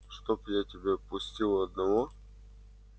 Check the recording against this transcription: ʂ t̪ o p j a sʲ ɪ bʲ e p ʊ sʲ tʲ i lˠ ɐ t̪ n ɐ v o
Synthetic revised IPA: ʂ t̪ o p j a tʲ ɪ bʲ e p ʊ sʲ tʲ i lˠ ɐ d̪ n ɐ v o